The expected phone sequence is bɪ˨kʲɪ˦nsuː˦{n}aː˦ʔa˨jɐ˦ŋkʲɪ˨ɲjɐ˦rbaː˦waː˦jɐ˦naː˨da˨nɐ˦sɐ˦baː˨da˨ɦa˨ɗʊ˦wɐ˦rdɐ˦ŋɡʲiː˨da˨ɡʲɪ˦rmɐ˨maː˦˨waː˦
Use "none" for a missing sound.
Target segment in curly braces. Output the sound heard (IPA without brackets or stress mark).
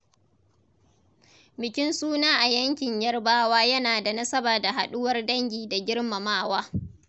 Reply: n